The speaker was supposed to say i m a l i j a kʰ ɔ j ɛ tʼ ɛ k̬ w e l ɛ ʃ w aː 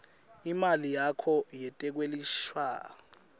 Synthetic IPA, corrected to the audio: i m a l i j a kʰ ɔ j ɛ tʼ ɛ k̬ w e l i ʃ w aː